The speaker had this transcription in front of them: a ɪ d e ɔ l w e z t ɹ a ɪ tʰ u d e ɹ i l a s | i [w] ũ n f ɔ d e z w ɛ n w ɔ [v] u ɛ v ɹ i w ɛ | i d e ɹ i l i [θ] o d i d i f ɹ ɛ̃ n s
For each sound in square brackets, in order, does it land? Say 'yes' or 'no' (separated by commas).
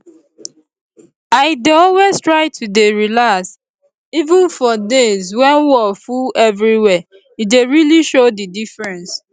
no, no, no